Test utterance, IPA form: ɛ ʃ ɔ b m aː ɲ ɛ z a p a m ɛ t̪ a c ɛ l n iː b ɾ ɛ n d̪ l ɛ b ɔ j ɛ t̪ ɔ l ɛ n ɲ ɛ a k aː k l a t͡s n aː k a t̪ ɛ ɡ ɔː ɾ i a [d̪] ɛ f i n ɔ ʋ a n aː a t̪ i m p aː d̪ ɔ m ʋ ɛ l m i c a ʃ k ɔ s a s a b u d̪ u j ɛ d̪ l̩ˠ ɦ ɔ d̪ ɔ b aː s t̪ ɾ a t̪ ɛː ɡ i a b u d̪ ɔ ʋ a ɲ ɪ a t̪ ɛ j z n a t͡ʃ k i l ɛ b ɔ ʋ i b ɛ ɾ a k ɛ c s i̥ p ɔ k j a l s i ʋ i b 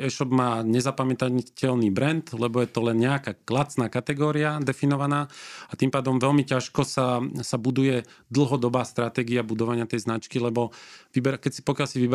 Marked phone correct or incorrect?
correct